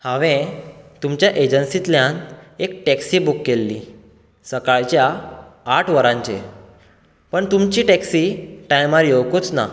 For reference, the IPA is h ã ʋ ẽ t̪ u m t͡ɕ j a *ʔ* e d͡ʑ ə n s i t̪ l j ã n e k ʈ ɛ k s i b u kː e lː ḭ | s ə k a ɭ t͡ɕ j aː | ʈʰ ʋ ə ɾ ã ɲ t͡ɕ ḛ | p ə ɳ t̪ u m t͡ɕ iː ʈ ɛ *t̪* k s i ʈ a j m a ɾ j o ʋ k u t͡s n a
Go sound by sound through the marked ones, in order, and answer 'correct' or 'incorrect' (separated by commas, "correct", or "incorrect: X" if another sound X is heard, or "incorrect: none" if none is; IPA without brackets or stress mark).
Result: correct, incorrect: none